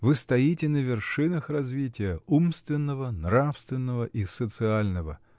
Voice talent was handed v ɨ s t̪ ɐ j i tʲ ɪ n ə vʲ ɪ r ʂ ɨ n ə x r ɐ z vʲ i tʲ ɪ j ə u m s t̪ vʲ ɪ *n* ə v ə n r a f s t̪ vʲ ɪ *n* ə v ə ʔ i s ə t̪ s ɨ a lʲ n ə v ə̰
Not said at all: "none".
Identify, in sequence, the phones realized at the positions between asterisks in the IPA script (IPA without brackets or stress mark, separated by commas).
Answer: nː, nː